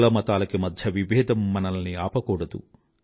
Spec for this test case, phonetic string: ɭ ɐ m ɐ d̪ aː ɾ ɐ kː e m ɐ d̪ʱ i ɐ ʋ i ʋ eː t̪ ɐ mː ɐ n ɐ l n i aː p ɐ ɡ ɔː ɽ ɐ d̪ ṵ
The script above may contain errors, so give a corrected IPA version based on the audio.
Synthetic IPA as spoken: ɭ ɐ m ɐ t̪ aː l ɐ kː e m ɐ d̪ʱ j ɐ ʋ i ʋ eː d̪ ɐ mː ɐ n ɐ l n i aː p ɐ k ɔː ɽ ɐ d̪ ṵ